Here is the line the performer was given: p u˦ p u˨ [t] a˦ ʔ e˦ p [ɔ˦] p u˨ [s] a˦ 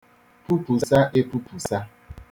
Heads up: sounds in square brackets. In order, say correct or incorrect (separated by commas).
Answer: incorrect, incorrect, correct